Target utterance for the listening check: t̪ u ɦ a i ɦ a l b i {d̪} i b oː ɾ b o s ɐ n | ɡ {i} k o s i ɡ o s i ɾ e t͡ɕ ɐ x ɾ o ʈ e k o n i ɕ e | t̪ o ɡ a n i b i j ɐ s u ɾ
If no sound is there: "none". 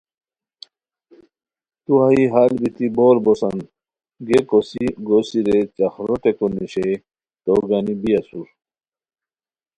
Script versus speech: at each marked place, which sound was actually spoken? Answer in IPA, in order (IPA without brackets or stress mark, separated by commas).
t̪, e